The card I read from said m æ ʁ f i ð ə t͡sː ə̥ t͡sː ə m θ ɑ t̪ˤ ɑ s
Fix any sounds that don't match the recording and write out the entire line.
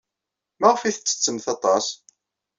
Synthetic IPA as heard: m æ ʁ f i θ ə t͡sː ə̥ t͡sː ə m θ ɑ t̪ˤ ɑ s